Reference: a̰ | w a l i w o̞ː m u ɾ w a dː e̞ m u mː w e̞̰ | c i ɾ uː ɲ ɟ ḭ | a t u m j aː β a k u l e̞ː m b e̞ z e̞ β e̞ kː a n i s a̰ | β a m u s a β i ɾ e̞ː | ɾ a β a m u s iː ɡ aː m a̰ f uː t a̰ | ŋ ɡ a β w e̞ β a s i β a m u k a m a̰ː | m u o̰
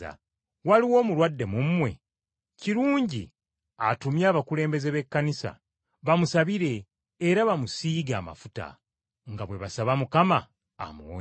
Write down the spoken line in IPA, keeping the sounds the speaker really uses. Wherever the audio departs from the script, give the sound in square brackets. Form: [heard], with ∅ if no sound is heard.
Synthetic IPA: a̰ | w a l i w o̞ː m u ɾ w a dː e̞ m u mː w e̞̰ | c i ɾ uː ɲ ɟ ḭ | a t u m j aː β a k u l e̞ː m b e̞ z e̞ β e̞ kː a n i s a̰ | β a m u s a β i ɾ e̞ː | ɾ a β a m u s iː ɡ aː m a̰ f [u] t a̰ | ŋ ɡ a β w e̞ β a s [a] β a m u k a m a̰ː | m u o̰